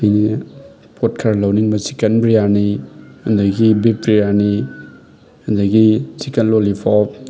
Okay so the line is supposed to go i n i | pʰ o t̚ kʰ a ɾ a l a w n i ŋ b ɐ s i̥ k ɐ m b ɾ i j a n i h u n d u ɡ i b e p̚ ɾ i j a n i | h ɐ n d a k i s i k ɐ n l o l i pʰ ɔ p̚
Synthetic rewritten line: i n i | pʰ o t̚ kʰ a ɾ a l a w n i ŋ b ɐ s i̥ k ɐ n b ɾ i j a n i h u n d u ɡ i b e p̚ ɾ i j a n i | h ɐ n d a ɡ i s i k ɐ n l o l i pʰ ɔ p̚